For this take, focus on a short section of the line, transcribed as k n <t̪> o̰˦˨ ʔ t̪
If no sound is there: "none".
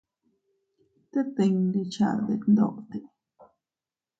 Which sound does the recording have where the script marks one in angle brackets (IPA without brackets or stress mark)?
d̪